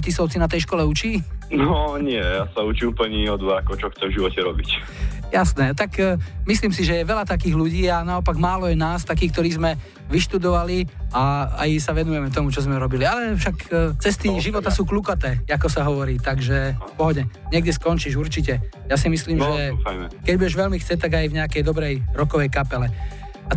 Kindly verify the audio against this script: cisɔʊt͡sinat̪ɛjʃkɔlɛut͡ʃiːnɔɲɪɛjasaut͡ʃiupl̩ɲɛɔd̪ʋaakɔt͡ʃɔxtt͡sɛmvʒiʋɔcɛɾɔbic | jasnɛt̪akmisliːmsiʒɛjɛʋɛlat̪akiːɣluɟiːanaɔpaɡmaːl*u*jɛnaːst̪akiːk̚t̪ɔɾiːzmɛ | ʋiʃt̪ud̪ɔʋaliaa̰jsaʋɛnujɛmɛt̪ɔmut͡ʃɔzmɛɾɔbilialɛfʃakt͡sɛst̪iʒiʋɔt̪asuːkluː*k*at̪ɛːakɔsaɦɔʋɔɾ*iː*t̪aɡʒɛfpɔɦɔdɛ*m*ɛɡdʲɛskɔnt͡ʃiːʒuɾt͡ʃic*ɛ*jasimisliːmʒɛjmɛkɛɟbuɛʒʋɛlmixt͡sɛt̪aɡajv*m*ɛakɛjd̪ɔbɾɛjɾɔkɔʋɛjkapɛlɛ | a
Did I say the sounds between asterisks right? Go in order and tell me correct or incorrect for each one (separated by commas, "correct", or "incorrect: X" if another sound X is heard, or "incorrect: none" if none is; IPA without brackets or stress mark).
incorrect: ɔ, correct, correct, incorrect: ɲ, correct, incorrect: ɲ